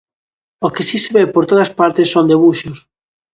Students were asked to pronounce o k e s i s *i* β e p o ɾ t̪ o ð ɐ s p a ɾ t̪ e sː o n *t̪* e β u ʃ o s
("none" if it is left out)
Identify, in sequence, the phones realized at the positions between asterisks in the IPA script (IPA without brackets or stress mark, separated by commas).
e, d̪